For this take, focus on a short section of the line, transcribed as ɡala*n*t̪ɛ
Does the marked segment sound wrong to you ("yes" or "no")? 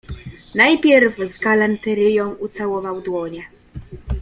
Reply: no